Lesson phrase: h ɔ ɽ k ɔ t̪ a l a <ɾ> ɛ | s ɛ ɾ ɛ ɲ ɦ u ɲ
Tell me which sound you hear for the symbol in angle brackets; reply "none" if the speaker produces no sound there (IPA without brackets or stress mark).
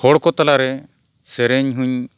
ɾ